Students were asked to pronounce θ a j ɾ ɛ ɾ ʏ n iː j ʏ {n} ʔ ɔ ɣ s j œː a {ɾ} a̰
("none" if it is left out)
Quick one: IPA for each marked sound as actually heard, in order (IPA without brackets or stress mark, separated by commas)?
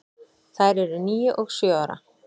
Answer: none, ɾ